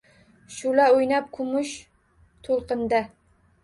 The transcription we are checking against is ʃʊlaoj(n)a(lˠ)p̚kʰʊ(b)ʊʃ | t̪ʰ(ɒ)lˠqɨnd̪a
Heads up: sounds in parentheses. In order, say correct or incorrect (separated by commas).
correct, incorrect, incorrect, incorrect